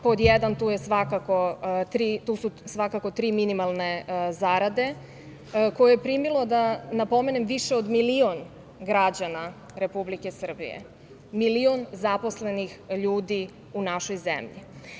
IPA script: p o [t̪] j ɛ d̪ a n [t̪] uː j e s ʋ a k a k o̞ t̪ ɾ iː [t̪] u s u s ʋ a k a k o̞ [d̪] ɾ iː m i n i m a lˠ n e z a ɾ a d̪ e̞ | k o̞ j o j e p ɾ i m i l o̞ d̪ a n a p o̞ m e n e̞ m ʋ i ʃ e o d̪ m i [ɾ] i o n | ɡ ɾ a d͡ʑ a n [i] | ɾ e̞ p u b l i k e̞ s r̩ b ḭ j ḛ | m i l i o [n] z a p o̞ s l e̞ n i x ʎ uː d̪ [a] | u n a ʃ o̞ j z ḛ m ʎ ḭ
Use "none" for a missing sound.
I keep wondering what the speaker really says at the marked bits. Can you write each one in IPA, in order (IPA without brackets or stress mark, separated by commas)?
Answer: d̪, t̪, t̪, t̪, l, a, n, i